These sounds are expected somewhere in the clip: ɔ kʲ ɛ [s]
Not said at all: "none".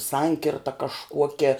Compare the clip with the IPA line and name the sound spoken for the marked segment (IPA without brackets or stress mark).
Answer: none